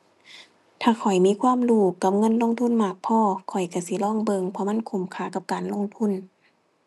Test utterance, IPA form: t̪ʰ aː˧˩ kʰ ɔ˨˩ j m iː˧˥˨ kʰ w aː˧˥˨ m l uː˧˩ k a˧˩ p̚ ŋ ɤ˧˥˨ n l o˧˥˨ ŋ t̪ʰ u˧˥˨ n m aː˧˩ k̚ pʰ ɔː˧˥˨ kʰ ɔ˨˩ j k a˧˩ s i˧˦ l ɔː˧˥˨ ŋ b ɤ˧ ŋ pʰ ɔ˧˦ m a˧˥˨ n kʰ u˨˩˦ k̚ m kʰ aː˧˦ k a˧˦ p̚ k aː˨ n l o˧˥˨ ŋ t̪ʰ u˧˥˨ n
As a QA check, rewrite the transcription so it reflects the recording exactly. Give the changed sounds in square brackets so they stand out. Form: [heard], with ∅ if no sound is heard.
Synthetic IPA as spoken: t̪ʰ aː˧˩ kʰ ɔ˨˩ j m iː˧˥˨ kʰ w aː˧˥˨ m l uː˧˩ k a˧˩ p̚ ŋ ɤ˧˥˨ n l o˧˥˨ ŋ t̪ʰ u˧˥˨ n m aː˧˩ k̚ pʰ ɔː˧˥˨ kʰ ɔ˨˩ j k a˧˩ s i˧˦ l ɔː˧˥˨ ŋ b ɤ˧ ŋ pʰ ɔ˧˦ m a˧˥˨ n kʰ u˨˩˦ [∅] m kʰ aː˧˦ k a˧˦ p̚ k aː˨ n l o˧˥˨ ŋ t̪ʰ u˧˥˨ n